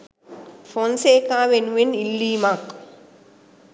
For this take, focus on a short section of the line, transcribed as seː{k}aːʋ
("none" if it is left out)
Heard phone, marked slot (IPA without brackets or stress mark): k